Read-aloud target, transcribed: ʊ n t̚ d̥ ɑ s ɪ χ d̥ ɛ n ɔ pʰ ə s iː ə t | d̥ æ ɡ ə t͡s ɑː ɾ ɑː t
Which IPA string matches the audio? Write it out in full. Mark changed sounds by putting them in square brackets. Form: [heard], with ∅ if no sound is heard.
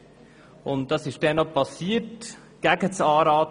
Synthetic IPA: ʊ n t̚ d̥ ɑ s ɪ [ʃ] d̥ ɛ n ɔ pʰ [ɑ] s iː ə t | [ɡ̥] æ ɡ ə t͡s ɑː ɾ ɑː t